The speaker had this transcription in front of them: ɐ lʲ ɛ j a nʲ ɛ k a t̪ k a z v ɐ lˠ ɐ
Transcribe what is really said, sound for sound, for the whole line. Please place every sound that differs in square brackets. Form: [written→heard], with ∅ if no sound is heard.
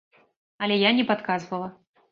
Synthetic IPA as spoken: ɐ lʲ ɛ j a nʲ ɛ [k→p] a t̪ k a z v ɐ lˠ ɐ